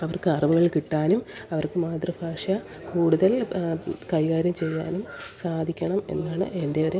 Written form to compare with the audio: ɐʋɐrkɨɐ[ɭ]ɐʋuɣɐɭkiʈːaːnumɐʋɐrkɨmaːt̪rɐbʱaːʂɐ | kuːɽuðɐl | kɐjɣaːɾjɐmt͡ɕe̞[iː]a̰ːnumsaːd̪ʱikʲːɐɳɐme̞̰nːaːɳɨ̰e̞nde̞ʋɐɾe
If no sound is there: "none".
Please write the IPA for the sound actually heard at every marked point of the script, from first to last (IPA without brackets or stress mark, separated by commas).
r, jː